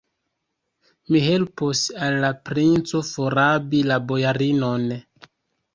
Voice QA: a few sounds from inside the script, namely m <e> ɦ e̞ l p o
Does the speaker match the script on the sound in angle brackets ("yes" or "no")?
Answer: no